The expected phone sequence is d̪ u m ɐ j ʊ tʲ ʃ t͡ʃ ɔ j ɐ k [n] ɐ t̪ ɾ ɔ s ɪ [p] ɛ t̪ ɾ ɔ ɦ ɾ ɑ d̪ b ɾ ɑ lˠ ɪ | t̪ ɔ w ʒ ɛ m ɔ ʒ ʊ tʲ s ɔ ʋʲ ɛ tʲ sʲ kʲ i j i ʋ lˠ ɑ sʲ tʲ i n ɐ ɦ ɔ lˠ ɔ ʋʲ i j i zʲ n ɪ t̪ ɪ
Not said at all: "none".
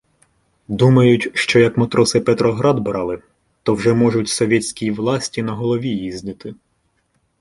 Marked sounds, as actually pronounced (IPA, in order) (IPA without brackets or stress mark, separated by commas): m, p